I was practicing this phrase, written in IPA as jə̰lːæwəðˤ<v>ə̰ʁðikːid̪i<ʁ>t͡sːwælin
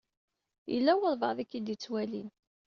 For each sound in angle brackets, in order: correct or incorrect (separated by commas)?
correct, incorrect